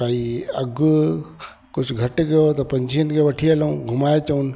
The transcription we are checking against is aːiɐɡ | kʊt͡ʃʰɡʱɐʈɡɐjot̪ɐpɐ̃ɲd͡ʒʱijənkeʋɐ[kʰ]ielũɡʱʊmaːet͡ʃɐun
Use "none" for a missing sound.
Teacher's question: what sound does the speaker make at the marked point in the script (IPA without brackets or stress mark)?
ʈʰ